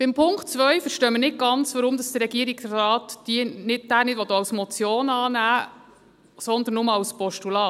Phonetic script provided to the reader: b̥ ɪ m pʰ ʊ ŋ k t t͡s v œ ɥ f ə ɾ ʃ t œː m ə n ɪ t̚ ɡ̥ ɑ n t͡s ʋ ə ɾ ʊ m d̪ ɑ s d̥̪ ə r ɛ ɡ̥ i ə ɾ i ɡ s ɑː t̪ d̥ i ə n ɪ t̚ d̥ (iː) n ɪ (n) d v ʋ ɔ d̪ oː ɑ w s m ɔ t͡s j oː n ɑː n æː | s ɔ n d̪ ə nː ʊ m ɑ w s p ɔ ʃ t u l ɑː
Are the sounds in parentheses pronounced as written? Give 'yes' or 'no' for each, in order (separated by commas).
no, no